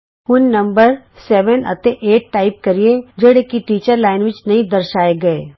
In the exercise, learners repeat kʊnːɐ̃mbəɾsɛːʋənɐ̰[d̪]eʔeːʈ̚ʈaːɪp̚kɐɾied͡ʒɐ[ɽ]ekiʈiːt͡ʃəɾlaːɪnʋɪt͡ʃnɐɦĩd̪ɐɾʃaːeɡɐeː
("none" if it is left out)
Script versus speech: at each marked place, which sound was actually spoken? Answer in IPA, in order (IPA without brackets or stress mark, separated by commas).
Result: t̪, ɽ